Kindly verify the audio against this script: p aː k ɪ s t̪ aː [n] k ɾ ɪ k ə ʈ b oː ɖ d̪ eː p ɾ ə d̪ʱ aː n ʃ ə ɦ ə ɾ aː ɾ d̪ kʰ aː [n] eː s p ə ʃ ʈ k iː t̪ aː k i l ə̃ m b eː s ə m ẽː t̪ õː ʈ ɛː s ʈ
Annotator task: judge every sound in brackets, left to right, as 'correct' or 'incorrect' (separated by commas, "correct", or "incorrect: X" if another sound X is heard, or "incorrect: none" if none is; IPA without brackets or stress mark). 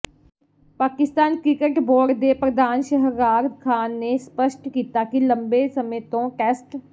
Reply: correct, incorrect: nː